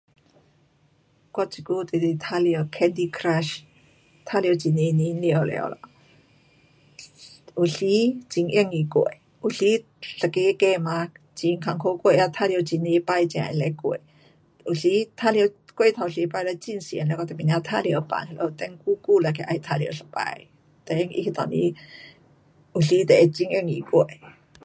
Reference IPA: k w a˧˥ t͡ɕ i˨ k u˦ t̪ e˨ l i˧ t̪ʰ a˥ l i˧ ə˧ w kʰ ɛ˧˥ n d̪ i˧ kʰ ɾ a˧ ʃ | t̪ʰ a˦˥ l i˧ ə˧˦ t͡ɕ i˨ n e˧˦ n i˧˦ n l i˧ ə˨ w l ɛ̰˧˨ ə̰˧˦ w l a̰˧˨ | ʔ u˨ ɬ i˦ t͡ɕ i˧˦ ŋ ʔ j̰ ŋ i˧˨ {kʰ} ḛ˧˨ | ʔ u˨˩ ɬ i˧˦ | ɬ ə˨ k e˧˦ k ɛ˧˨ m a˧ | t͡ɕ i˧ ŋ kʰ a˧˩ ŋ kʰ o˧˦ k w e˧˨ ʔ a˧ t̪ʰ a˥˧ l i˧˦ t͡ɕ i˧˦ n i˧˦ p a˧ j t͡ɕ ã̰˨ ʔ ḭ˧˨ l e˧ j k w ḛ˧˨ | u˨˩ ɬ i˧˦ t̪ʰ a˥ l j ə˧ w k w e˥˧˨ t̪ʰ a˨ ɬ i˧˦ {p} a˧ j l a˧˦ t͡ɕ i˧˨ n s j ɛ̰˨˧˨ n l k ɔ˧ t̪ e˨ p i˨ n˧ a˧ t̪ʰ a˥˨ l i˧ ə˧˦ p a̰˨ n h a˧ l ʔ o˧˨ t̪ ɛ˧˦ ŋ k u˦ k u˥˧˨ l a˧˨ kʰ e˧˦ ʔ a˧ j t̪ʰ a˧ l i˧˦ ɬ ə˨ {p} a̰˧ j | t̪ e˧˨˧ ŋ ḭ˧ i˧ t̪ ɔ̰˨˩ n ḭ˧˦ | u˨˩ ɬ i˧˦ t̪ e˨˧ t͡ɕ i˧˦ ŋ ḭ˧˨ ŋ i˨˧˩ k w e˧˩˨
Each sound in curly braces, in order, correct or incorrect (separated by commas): incorrect, correct, correct